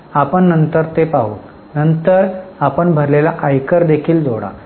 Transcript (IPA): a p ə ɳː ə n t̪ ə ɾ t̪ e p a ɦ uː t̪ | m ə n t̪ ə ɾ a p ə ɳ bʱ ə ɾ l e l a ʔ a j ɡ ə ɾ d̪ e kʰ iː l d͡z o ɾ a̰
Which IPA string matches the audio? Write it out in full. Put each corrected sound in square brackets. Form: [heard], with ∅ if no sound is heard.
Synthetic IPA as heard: a p ə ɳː ə n t̪ ə ɾ t̪ e p a ɦ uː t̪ | [n] ə n t̪ ə ɾ a p ə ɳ bʱ ə ɾ l e l a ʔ a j [k] ə ɾ d̪ e kʰ iː l d͡z o [ɽ] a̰